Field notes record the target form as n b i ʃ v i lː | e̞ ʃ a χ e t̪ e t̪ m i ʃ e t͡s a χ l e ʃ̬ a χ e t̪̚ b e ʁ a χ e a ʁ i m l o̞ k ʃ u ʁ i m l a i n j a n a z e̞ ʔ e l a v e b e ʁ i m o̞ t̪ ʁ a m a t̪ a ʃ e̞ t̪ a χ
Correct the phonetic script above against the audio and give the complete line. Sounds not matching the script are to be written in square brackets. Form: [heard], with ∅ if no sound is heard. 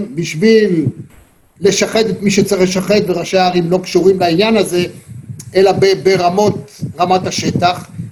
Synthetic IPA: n b i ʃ v i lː | e̞ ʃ a χ e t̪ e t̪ m i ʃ e t͡s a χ l e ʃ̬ a χ e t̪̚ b e ʁ a [ʃ] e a ʁ i m l o̞ k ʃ u ʁ i m l a i n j a n a z e̞ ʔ e l a [b] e b e ʁ [a] m o̞ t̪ ʁ a m a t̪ a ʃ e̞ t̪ a χ